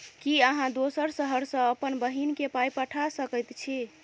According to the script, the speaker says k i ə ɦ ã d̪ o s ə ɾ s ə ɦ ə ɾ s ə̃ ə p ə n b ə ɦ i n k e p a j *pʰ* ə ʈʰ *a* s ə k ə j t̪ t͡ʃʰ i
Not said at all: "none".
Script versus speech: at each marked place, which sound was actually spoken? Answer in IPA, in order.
p, a

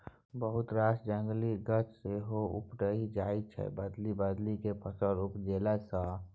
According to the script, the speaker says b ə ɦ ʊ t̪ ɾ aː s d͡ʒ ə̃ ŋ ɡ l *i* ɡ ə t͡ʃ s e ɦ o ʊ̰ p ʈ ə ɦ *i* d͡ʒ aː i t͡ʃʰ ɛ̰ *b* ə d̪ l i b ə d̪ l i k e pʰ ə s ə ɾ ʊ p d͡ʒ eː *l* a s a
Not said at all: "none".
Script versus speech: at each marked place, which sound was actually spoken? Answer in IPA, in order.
i, i, b, l

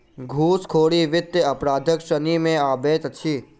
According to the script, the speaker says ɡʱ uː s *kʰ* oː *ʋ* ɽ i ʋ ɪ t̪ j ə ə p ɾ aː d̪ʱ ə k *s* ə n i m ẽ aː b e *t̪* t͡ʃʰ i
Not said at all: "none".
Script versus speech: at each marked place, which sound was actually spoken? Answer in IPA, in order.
kʰ, none, ʃ, t̪

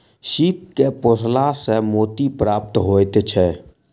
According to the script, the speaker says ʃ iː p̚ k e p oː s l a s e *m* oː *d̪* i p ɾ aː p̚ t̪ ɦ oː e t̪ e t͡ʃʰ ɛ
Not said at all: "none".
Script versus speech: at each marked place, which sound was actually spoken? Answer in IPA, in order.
m, t̪

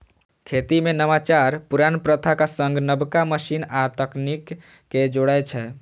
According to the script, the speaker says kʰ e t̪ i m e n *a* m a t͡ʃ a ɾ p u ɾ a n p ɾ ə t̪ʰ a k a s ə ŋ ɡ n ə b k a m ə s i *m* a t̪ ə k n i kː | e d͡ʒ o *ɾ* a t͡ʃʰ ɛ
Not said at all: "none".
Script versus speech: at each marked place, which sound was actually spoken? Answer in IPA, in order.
ə, n, ɽ

